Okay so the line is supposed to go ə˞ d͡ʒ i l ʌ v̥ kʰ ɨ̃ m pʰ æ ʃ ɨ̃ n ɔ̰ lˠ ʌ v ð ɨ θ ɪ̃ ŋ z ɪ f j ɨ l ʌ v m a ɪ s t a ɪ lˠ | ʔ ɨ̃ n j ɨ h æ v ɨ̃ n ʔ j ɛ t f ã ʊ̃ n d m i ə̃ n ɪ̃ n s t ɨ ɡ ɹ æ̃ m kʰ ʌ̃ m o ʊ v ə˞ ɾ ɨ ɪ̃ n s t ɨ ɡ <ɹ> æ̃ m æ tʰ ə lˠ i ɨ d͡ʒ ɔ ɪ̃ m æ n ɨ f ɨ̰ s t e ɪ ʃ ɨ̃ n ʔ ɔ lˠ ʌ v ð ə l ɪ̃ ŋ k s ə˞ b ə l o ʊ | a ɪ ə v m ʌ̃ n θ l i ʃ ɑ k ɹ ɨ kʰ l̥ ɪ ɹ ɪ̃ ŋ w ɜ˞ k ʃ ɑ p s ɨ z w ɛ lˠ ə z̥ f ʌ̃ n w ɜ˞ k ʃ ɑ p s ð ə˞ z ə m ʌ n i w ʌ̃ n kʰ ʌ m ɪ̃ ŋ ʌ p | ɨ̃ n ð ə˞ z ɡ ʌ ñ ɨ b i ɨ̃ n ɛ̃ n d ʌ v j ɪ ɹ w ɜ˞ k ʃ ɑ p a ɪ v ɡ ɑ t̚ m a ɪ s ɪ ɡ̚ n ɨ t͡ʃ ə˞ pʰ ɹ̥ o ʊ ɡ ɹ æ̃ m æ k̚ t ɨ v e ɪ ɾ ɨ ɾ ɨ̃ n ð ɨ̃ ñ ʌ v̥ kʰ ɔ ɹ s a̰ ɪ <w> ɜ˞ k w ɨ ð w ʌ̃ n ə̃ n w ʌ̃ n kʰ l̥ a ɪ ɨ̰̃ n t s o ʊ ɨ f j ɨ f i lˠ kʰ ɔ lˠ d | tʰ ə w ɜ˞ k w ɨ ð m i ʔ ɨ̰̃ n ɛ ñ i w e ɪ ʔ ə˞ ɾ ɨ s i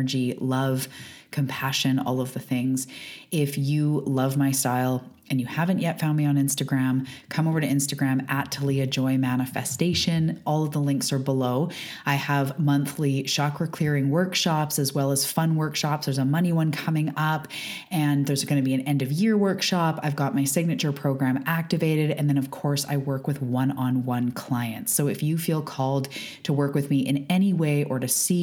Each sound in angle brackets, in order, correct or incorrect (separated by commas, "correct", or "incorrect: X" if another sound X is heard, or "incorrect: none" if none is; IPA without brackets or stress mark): correct, correct